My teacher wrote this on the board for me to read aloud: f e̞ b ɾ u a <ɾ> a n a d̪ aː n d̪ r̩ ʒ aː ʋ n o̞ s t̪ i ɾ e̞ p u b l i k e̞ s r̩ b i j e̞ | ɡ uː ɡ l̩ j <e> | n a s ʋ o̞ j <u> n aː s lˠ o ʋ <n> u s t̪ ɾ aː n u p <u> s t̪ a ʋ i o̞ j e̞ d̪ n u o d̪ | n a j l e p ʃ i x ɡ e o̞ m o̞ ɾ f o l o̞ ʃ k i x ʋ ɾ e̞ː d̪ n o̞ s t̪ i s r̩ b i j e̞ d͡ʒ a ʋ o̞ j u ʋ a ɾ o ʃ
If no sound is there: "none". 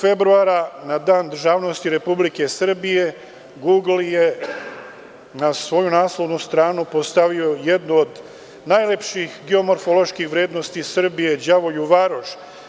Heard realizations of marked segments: ɾ, e, u, n, o

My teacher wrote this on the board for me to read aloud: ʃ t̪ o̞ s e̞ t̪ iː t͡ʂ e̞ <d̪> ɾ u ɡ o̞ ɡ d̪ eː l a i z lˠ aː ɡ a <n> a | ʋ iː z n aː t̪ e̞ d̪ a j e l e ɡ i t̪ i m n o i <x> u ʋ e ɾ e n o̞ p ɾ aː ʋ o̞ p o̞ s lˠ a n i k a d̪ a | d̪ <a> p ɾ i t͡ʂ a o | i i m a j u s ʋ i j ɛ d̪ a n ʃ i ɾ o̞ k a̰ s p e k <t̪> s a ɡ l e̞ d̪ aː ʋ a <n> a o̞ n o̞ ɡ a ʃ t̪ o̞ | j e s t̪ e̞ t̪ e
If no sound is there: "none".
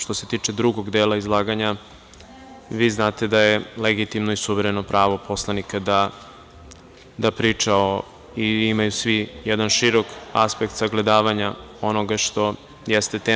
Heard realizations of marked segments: d̪, ɲ, s, a, t̪, ɲ

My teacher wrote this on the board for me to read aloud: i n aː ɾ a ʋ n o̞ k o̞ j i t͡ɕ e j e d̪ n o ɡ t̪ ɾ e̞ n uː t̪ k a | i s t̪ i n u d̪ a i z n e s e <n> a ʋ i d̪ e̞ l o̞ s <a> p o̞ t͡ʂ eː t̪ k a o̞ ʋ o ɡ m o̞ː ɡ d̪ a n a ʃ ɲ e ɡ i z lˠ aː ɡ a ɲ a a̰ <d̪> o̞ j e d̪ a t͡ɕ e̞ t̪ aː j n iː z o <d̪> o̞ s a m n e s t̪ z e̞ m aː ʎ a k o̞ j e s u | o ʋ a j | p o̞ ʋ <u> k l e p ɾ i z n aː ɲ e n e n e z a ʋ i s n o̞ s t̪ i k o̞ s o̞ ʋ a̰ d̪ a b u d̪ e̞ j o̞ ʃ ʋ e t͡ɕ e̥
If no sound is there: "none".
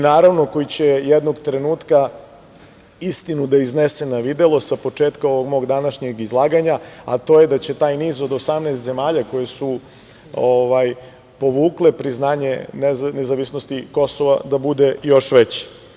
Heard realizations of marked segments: n, a, t̪, d̪, uː

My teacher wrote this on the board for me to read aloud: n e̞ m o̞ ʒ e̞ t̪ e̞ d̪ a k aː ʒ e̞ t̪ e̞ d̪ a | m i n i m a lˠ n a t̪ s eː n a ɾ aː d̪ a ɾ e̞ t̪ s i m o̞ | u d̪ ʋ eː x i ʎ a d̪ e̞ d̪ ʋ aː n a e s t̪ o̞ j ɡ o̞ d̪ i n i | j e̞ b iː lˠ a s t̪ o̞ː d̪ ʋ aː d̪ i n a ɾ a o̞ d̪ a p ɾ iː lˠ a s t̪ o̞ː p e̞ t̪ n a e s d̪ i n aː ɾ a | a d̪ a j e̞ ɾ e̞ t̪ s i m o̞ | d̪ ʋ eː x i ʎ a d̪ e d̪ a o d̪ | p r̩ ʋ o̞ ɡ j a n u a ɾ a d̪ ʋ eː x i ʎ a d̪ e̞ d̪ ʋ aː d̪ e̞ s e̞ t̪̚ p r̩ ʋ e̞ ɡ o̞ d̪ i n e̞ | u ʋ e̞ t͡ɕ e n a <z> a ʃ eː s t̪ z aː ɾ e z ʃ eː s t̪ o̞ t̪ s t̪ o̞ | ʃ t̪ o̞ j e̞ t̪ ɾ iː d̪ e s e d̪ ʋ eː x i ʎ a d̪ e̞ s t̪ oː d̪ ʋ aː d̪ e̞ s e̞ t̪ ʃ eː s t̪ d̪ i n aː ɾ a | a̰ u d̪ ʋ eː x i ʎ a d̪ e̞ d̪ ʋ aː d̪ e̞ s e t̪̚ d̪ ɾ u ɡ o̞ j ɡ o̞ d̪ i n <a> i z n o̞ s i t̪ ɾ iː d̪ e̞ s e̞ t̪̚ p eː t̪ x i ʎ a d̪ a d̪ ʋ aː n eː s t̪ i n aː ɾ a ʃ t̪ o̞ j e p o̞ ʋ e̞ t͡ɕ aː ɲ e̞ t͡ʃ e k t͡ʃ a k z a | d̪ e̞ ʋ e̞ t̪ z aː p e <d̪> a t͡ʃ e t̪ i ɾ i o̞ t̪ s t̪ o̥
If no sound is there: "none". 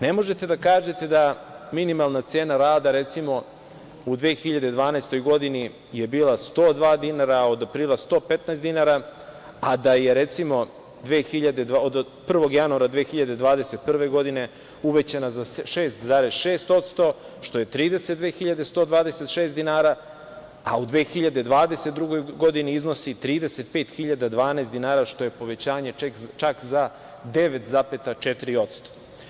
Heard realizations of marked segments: z, i, t̪

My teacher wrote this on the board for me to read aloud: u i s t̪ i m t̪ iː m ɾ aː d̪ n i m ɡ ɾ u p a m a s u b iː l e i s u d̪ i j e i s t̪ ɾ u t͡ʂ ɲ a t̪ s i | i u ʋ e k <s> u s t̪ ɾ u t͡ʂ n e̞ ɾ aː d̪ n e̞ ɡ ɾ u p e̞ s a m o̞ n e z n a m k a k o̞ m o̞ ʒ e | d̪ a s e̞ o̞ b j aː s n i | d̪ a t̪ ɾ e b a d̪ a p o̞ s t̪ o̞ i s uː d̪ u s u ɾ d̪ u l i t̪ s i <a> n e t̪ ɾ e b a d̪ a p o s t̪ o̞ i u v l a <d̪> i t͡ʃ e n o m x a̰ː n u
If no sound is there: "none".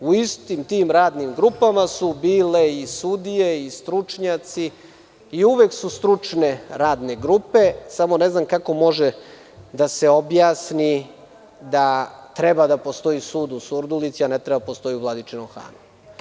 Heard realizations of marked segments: s, a, d̪

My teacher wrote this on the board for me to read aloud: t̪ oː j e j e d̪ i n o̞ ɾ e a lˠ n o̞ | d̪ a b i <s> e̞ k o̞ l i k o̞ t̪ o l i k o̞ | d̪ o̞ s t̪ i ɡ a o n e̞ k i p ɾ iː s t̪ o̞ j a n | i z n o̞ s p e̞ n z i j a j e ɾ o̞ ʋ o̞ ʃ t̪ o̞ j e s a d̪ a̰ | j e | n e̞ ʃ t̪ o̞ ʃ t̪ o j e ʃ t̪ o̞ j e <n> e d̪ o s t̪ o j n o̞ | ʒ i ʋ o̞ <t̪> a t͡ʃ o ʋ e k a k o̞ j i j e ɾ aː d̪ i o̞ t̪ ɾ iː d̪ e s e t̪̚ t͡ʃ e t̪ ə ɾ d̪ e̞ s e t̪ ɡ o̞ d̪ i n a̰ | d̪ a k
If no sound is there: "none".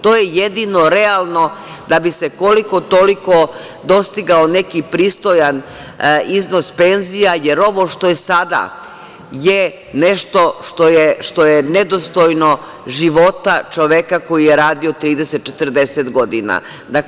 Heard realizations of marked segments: s, n, t̪

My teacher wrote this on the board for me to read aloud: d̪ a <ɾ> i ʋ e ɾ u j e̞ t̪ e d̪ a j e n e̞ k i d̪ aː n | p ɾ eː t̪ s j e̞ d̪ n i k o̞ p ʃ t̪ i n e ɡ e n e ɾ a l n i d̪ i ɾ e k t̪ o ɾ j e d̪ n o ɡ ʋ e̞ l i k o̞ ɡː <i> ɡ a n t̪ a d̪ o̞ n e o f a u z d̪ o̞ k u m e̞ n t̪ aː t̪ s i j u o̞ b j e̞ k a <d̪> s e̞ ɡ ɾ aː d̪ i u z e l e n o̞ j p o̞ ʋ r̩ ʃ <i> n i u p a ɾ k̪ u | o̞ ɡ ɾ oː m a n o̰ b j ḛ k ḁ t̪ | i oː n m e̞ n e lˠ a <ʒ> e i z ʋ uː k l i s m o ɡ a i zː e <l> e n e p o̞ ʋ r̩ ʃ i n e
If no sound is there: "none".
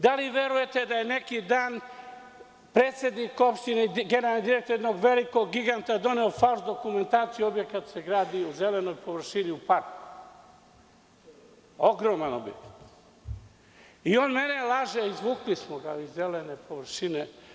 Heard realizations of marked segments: l, i, t̪, i, ʒ, l

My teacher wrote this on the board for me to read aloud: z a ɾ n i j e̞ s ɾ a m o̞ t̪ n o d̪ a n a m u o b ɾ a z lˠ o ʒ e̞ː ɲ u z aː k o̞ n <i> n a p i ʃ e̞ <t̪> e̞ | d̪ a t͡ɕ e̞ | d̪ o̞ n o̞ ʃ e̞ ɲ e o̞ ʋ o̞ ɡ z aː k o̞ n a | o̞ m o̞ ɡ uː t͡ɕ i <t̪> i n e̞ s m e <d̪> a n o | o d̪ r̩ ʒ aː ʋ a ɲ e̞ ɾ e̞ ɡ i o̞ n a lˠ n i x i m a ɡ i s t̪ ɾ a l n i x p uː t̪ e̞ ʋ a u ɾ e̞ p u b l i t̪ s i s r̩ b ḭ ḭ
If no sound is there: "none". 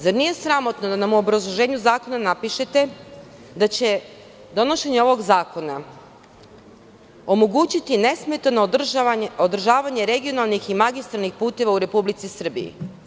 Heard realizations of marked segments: a, t̪, t̪, t̪

